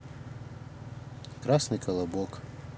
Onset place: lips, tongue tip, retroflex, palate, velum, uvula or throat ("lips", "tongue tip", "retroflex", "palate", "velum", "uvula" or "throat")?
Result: velum